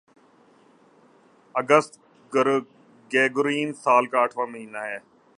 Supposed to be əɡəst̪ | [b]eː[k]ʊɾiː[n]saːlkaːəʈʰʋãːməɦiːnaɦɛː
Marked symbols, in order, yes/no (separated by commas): no, no, yes